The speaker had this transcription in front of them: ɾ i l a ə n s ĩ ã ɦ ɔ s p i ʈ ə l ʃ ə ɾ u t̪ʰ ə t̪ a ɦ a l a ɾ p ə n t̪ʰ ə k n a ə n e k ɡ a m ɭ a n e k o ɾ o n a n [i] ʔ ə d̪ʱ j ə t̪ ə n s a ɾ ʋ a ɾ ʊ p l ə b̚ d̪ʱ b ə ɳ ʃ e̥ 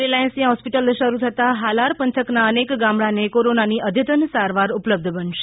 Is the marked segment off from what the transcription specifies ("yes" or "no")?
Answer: no